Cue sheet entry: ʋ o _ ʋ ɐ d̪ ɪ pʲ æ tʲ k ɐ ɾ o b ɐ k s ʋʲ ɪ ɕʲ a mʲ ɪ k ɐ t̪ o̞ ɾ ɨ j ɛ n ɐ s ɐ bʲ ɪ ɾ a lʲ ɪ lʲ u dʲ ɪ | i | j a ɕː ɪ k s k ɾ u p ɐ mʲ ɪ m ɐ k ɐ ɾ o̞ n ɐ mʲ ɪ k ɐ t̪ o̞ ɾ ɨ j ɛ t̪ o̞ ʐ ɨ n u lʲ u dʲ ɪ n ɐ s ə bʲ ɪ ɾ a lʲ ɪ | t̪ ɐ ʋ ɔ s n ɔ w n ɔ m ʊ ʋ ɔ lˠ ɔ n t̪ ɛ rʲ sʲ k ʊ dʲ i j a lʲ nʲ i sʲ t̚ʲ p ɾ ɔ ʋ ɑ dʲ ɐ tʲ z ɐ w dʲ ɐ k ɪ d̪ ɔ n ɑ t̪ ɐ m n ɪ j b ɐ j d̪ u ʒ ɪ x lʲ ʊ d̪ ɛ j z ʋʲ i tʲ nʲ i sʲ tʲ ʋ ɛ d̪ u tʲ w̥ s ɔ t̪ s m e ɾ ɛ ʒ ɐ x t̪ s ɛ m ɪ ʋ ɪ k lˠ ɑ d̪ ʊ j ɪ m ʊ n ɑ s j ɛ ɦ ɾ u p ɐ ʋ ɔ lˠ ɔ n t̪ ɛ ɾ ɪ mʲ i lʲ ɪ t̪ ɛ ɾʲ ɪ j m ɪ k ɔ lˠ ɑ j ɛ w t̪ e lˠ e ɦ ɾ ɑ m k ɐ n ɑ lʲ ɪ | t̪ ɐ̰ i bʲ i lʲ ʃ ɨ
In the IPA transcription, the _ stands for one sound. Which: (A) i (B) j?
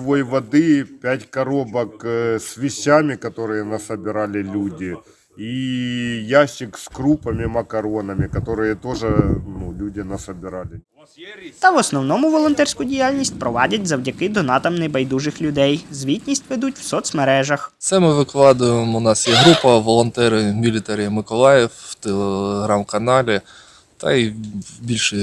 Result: B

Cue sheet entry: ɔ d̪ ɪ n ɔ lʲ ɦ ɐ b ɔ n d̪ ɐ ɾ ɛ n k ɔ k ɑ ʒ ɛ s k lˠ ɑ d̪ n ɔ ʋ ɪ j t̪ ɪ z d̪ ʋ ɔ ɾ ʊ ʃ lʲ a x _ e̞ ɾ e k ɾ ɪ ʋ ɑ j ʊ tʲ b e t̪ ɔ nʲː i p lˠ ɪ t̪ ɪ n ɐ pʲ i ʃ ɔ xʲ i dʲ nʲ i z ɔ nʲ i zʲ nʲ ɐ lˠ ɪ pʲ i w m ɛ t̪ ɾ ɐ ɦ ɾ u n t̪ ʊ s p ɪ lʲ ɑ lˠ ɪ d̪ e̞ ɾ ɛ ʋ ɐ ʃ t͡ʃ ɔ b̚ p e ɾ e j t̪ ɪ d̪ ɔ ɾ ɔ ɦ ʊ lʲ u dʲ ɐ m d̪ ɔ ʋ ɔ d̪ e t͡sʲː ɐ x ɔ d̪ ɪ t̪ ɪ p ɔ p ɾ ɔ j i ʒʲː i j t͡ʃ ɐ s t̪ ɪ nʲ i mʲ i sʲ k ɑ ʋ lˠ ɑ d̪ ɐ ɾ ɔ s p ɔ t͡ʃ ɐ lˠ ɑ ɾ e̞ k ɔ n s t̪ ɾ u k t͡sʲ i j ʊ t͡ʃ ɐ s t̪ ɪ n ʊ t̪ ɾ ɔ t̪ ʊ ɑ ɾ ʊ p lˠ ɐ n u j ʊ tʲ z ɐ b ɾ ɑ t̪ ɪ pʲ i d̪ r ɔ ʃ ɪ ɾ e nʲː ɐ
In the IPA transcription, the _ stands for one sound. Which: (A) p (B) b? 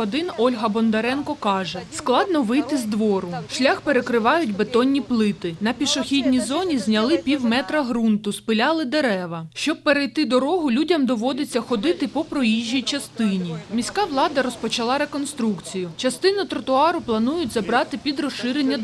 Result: A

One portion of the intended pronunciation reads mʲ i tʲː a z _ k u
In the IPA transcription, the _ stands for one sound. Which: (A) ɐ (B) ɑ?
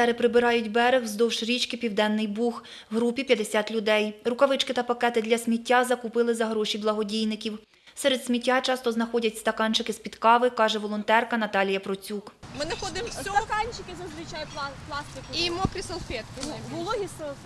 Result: A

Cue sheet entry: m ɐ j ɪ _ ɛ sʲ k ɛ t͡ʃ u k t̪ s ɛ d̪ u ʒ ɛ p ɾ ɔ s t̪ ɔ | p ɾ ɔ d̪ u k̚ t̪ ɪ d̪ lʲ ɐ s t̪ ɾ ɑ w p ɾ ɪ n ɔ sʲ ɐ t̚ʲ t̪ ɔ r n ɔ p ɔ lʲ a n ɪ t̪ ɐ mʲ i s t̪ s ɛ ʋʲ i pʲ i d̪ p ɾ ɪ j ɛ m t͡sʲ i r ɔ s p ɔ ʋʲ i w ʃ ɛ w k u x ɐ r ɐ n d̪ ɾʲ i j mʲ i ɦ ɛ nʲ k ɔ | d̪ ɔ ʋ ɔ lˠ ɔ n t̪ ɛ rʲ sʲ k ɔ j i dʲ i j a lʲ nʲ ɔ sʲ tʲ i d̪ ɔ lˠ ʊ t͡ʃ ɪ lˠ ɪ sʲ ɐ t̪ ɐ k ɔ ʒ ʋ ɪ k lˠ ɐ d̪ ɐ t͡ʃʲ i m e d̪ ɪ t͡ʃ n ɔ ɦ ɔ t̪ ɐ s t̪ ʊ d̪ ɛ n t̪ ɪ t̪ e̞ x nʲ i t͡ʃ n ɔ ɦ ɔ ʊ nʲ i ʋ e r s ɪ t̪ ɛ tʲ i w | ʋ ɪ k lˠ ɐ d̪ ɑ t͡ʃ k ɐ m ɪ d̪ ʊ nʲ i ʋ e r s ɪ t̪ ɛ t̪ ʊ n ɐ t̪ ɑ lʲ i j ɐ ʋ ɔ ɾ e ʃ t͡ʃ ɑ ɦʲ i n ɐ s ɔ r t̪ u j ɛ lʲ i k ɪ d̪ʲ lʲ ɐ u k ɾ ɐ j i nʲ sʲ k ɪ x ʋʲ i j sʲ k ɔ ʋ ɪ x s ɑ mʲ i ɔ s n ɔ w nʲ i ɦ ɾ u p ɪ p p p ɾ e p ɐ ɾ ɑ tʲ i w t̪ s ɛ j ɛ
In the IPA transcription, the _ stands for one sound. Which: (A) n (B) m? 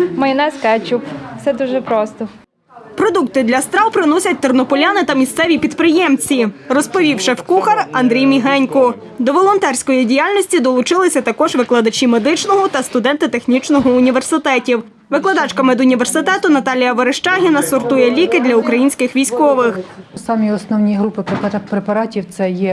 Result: A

